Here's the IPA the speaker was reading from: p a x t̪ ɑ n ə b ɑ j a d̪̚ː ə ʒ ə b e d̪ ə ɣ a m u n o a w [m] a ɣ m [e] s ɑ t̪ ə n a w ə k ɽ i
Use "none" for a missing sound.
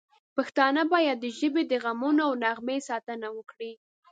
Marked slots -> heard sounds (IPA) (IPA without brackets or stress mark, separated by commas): n, e